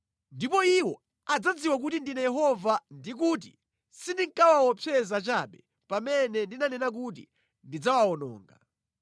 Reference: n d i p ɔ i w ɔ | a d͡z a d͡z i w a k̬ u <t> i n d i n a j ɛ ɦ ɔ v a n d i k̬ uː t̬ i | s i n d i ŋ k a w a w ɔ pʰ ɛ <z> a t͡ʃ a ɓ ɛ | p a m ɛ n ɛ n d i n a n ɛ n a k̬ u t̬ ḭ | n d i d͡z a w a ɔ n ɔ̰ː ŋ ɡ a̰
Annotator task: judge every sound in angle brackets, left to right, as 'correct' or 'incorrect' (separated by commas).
correct, correct